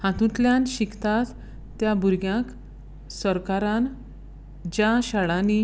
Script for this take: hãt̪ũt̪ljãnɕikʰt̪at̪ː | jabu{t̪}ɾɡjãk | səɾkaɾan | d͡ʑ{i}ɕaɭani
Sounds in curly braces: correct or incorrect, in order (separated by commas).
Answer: incorrect, incorrect